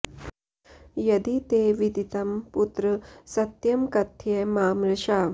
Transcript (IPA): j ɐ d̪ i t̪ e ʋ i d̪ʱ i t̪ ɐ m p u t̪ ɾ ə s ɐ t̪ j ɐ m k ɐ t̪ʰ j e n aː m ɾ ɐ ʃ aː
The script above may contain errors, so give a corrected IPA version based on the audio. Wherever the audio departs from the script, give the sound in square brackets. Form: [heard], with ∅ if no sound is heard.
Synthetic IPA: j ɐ d̪ i t̪ e ʋ i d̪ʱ i t̪ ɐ m p u t̪ ɾ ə s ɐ t̪ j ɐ m k ɐ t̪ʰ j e [m] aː m ɾ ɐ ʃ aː